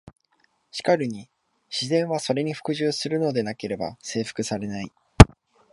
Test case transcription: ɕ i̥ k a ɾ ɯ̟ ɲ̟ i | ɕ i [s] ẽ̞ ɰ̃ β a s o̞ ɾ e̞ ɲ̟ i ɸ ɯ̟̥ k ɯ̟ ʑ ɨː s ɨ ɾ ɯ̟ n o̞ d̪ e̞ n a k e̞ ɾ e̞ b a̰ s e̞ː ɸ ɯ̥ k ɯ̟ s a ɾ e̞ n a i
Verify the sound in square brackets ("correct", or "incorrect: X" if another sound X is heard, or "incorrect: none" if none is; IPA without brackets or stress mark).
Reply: incorrect: z